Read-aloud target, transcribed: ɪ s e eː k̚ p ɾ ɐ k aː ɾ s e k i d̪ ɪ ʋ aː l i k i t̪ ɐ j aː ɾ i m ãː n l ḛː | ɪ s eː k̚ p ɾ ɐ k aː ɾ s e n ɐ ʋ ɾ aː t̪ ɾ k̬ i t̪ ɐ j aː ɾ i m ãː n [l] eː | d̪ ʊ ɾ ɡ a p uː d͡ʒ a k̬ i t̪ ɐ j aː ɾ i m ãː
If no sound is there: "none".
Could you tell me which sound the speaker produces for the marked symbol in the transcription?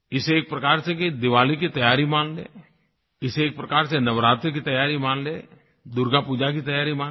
l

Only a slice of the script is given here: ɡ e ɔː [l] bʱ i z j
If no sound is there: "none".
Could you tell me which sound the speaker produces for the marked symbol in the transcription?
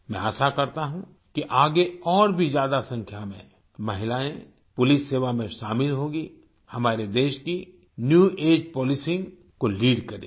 ɾ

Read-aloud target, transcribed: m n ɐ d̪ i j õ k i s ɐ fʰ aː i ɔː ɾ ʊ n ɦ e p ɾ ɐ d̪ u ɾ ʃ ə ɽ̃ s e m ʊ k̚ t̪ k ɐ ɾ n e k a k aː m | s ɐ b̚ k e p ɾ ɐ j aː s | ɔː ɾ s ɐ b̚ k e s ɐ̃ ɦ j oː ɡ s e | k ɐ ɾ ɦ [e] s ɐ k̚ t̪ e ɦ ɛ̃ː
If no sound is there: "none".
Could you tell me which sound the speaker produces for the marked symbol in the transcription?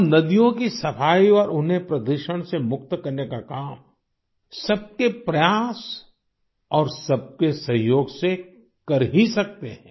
i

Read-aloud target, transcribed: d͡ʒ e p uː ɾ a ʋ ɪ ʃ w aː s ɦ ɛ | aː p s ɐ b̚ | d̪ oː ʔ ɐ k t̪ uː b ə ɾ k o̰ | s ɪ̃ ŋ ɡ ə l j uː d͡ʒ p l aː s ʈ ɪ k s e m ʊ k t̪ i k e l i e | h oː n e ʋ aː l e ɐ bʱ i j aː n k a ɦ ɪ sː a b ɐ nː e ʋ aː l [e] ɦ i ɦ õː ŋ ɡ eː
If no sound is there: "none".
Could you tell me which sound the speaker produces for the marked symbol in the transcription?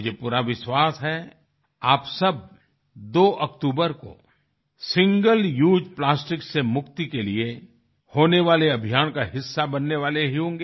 e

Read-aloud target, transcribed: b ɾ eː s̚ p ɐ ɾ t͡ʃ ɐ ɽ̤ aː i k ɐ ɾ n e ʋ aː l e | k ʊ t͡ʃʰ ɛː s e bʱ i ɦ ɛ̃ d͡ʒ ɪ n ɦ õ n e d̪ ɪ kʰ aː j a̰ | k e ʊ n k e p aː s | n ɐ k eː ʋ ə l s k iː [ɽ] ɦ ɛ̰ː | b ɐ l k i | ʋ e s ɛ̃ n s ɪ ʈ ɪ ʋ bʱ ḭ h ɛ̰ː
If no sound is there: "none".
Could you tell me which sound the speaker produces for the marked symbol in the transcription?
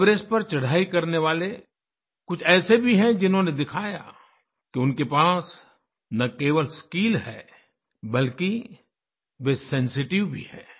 l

